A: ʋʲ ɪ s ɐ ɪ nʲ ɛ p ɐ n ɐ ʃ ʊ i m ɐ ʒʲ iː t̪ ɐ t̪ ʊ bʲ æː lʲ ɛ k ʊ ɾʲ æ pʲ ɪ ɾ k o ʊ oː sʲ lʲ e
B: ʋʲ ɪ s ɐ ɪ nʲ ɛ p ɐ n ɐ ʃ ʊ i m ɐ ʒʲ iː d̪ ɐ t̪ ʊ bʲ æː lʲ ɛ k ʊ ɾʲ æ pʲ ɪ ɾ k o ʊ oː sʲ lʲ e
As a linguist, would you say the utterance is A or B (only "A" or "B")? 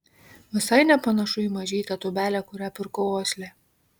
A